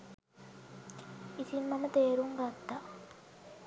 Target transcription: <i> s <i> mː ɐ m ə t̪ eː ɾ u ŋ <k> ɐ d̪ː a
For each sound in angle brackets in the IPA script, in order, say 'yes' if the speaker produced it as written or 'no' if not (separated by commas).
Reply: yes, yes, no